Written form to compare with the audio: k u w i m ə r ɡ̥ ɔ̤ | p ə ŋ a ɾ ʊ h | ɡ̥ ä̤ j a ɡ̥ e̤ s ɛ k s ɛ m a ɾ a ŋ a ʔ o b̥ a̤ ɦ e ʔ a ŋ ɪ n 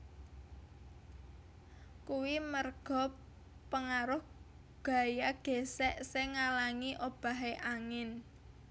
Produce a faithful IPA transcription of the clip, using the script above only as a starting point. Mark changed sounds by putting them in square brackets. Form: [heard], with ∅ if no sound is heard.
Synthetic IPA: k u w i m ə r ɡ̥ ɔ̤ | p ə ŋ a ɾ ʊ h | ɡ̥ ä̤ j a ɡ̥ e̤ s ɛ [ʔ] s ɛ [ŋ] a [l] a ŋ [i] ʔ o b̥ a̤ ɦ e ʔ a ŋ ɪ n